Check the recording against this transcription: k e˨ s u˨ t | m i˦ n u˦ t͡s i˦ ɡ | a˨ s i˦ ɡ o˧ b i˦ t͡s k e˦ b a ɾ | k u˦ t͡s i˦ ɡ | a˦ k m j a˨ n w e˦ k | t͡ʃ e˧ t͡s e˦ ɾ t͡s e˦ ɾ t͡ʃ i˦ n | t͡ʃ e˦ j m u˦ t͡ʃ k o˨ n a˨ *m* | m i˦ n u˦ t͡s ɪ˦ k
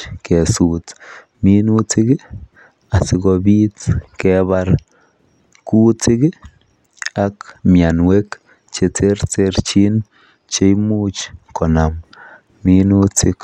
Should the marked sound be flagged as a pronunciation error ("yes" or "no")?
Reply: no